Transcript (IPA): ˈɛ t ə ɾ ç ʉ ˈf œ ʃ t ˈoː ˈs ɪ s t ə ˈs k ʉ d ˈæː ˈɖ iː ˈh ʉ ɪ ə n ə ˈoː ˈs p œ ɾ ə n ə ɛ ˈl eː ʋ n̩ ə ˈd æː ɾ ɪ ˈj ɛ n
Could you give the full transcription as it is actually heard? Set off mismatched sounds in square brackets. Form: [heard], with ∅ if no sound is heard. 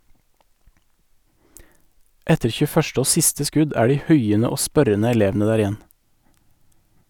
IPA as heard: ˈɛ t ə ɾ ç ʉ ˈf œ ʃ t ˈoː ˈs ɪ s t ə ˈs k ʉ d ˈæː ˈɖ iː ˈh ʉ ɪ ə n ə ˈoː ˈs p œ ɾ ə n ə ɛ ˈl eː ʋ n̩ ə ˈd æː ɾ ɪ ˈj ɛ n